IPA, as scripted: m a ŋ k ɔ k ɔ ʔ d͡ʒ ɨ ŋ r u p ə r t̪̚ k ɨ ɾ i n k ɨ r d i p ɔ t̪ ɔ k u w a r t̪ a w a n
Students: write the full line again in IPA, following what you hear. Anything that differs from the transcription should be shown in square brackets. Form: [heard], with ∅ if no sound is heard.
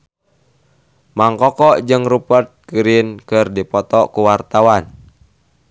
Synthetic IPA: m a ŋ k ɔ k ɔ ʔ d͡ʒ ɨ ŋ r u p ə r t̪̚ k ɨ ɾ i n k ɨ r d i p ɔ t̪ ɔ k u w a r t̪ a w a n